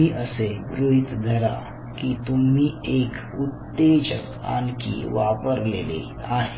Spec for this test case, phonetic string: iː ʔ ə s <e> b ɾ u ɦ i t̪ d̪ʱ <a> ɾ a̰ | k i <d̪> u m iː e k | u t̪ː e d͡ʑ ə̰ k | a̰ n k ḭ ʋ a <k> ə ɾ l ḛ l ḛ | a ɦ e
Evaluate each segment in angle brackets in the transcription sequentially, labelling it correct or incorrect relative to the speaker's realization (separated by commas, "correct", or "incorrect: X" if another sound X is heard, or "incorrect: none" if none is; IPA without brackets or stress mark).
correct, incorrect: ə, incorrect: t̪, incorrect: p